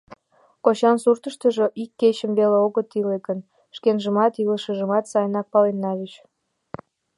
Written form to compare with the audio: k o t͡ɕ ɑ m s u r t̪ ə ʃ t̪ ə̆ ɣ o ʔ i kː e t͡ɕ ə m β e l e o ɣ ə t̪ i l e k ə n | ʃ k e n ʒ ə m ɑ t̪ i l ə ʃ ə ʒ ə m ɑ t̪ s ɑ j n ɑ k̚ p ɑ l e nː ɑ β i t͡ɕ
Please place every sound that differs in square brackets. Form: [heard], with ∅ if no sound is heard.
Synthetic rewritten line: k o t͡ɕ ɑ [n] s u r t̪ ə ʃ t̪ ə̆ [ʒ] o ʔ i kː e t͡ɕ ə m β e l e o ɣ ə t̪ i l e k ə n | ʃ k e n ʒ ə m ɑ t̪ i l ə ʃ ə ʒ ə m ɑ t̪ s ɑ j n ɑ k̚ p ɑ l e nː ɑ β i t͡ɕ